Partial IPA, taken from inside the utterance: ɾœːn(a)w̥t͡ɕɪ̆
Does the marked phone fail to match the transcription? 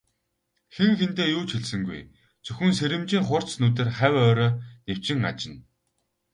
yes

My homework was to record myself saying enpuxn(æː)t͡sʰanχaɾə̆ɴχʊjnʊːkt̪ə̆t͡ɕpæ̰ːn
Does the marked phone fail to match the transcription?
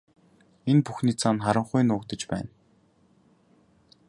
yes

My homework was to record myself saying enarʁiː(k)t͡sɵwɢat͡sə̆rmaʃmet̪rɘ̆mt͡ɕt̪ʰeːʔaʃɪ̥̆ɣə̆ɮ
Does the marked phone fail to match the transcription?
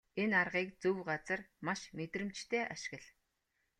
no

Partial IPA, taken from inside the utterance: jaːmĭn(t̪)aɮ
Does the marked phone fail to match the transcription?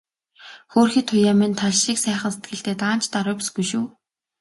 yes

